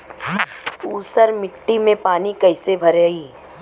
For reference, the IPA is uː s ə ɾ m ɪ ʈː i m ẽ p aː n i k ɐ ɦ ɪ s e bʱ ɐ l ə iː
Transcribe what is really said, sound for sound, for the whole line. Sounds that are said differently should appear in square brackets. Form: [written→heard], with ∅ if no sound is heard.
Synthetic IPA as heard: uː s ə ɾ m ɪ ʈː i m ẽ p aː n i k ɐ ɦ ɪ s e bʱ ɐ [l→ɾ] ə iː